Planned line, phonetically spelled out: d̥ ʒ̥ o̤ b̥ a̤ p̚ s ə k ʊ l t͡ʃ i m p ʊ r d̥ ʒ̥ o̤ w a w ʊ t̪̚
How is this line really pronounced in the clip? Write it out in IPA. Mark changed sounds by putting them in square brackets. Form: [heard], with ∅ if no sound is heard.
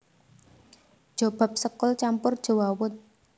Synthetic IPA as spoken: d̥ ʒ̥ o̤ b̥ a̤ p̚ s ə k ʊ l t͡ʃ [a] m p ʊ r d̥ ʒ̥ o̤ w a w ʊ t̪̚